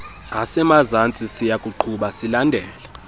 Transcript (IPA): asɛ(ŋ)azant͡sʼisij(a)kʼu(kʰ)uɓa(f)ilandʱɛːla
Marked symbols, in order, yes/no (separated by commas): no, yes, no, no